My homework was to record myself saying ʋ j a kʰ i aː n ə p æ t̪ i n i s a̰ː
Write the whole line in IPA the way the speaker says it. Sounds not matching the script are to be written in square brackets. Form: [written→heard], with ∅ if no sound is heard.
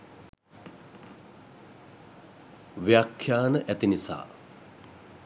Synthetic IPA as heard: ʋ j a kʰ [i→j] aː n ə [p→ʔ] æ t̪ i n i s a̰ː